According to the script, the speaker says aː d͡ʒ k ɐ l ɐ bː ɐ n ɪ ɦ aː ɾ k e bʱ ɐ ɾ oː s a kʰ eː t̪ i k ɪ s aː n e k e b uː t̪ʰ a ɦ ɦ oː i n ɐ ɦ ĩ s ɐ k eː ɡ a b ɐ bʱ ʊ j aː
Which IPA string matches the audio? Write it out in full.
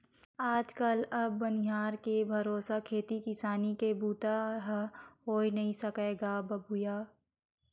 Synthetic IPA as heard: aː d͡ʒ k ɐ l ɐ bː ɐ n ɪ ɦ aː ɾ k e bʱ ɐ ɾ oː s a kʰ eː t̪ i k ɪ s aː n i k e b uː t̪ a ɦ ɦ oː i n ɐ ɦ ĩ s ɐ k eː ɡ a b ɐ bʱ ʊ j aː